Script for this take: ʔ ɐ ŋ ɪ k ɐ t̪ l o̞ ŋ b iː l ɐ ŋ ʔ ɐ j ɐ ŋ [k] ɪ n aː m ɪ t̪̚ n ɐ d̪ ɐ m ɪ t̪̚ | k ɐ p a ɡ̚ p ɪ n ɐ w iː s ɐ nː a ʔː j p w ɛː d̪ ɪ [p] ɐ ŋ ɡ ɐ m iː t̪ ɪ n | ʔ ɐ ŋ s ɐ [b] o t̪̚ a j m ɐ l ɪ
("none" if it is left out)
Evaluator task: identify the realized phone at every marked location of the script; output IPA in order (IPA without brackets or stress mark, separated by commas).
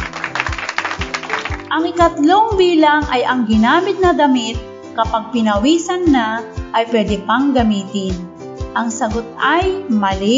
ɡ, p, ɡ